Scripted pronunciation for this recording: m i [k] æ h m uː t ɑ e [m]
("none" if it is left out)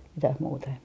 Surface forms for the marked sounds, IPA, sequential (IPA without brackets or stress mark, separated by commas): t, m